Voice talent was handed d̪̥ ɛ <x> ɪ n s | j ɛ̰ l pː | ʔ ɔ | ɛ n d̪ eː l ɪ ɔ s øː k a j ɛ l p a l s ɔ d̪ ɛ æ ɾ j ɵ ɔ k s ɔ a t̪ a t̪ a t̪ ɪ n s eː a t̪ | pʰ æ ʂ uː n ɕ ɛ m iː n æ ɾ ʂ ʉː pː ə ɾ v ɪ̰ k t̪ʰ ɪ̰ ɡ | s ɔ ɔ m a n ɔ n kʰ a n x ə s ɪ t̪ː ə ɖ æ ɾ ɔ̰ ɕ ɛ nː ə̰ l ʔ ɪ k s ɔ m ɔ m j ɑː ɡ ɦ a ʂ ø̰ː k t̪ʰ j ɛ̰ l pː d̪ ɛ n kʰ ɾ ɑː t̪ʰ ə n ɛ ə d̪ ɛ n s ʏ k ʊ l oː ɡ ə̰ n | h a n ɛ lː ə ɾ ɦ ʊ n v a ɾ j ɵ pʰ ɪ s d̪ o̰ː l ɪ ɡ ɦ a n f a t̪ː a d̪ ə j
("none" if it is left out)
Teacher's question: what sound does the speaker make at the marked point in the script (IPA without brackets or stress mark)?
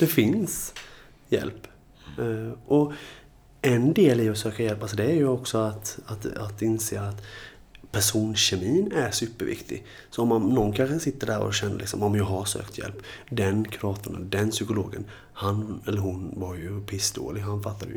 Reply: f